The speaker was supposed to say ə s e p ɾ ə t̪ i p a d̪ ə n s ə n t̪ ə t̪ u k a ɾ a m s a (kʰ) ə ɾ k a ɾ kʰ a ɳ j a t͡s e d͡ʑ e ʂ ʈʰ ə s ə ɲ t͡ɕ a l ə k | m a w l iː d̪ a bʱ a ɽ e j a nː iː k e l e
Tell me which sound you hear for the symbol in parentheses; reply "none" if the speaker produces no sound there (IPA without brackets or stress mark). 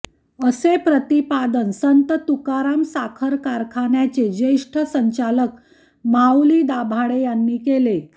kʰ